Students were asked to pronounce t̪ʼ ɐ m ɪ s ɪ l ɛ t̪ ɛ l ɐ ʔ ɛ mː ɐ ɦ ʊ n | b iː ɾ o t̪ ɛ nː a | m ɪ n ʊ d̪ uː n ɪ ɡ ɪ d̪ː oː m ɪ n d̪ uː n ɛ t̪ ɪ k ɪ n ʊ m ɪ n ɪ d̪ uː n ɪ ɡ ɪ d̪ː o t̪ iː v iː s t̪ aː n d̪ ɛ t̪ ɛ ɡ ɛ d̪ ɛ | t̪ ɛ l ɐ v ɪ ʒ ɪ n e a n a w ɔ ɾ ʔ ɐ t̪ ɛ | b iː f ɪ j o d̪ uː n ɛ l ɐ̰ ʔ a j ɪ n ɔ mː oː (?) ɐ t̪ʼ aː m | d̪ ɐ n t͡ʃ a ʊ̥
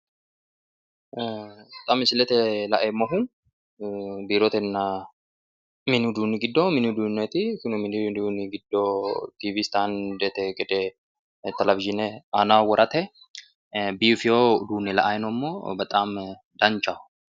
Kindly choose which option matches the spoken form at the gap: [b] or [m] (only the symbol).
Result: b